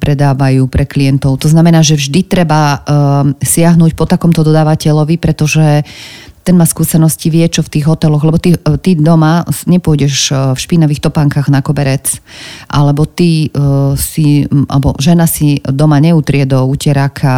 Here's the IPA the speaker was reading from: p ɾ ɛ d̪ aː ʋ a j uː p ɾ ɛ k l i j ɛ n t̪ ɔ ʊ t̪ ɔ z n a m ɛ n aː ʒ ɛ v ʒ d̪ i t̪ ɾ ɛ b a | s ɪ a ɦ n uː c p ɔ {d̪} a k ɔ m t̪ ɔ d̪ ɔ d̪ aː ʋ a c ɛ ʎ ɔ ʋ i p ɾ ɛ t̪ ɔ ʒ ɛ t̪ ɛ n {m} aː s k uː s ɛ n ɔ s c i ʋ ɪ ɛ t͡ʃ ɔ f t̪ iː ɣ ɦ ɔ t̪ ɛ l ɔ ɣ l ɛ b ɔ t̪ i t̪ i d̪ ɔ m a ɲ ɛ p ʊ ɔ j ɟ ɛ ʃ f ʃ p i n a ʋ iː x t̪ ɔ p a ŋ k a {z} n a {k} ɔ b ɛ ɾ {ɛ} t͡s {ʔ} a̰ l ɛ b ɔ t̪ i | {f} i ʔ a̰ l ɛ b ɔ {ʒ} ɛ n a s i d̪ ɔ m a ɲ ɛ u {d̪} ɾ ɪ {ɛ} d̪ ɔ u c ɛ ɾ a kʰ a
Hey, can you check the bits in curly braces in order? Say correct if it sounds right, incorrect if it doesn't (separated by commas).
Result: incorrect, correct, incorrect, correct, correct, correct, incorrect, correct, incorrect, correct